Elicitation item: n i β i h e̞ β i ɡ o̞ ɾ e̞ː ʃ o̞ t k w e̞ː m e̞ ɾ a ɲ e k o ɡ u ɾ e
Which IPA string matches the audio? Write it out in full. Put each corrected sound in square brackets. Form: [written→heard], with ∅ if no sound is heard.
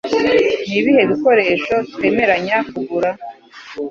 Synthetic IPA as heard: n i β i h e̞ β i [ɡ→k] o̞ ɾ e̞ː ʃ o̞ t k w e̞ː m e̞ ɾ a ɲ [e→a] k [o→u] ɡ u ɾ [e→a]